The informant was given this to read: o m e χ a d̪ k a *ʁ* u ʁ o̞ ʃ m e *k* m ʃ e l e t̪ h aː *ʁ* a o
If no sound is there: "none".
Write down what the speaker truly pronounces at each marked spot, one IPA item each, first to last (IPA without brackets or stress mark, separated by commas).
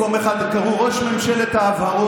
ʁ, none, v